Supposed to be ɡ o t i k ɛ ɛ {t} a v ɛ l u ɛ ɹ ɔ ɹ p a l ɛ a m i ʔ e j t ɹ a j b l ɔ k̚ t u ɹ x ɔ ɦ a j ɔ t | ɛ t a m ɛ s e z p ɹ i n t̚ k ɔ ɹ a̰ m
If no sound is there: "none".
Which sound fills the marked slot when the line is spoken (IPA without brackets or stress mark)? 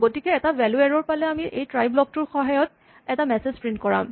t